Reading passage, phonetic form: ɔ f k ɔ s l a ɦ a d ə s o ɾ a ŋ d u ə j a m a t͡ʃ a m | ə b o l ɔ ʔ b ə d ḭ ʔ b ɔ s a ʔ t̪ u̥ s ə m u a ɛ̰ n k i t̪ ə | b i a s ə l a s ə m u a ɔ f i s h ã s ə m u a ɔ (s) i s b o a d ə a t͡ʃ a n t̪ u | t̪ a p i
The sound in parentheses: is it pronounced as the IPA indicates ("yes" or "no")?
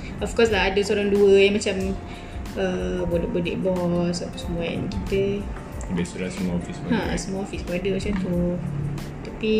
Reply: no